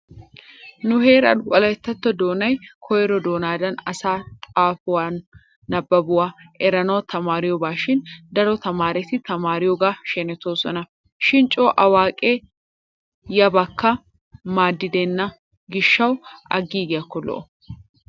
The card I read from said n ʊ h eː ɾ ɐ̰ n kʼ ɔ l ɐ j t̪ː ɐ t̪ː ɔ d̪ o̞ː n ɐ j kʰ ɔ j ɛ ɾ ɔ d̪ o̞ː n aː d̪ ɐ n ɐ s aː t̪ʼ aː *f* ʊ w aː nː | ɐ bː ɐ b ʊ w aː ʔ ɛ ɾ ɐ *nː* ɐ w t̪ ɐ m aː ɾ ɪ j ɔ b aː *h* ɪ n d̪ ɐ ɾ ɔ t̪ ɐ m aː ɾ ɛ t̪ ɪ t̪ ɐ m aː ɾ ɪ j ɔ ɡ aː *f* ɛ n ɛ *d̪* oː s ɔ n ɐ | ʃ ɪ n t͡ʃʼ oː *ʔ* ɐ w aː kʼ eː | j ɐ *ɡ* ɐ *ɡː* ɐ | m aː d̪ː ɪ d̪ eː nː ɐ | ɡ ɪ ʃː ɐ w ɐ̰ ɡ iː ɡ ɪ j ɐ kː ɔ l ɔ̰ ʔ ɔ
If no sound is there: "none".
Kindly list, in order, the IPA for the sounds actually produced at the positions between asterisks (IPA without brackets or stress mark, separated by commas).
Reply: f, n, ʃ, ʃ, t̪, ʔ, b, kː